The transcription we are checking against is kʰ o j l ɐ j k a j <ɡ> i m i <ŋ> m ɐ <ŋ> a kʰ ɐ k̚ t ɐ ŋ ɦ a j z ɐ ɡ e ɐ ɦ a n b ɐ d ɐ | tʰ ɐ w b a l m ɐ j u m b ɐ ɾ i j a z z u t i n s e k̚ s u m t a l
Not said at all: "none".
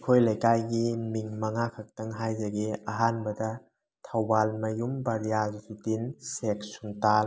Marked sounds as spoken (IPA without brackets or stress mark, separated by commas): ɡ, ŋ, ŋ